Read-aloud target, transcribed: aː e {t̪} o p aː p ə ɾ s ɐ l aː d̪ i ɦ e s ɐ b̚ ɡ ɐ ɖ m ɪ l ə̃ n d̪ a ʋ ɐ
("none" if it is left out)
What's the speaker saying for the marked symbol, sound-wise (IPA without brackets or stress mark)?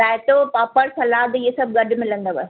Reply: t̪